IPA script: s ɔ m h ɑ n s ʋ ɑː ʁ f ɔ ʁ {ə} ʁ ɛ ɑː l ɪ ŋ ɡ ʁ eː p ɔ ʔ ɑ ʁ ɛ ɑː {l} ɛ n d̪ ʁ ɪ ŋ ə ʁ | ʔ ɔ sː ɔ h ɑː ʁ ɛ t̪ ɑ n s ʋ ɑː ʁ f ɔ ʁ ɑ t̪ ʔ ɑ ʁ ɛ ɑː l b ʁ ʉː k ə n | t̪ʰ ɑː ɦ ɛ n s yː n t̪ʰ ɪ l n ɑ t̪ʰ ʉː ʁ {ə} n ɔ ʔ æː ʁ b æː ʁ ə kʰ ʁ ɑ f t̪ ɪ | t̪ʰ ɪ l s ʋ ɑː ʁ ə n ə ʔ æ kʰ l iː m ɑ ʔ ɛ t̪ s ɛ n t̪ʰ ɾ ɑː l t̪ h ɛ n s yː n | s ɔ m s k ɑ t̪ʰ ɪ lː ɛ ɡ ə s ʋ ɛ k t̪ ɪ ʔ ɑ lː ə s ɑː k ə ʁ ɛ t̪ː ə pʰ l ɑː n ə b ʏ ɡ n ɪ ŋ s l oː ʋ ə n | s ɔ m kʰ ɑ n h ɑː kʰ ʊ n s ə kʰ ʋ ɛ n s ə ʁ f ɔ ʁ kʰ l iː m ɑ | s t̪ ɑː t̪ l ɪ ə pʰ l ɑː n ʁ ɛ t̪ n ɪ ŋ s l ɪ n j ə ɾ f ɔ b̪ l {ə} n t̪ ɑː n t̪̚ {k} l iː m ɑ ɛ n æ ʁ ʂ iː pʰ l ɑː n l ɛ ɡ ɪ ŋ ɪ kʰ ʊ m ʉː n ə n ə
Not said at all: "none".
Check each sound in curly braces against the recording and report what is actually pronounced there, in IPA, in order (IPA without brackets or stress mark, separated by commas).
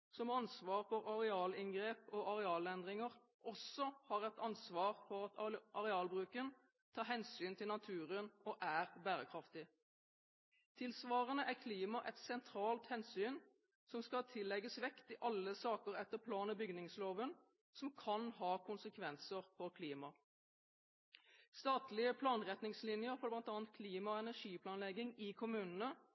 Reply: ɑ, l, ə, ɑ, kʰ